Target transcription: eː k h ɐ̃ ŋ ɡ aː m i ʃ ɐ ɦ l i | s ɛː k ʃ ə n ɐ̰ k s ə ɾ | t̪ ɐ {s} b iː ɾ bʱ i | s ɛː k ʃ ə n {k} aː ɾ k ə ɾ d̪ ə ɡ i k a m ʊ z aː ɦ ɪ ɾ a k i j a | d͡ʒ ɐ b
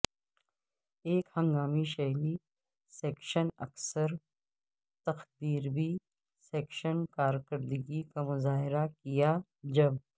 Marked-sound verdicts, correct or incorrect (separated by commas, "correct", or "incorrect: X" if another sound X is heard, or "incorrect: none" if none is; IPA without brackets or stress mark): incorrect: x, correct